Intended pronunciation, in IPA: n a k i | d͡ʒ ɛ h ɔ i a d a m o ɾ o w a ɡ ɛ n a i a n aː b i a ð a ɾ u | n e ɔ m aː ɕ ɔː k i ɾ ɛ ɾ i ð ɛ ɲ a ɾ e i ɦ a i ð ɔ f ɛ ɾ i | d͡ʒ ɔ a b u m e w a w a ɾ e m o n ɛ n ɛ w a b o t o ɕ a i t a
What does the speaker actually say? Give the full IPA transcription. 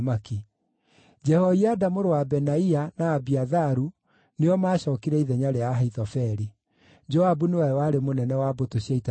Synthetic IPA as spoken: m a k i | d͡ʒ ɛ h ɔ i a d a m o ɾ o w a b ɛ n a i a n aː b i a ð a ɾ u | n e ɔ m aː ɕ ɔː k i ɾ ɛ i ð ɛ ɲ a ɾ e a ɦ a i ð ɔ f ɛ ɾ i | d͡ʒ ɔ a b u n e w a w a ɾ e m o n ɛ n ɛ w a b o t o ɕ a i t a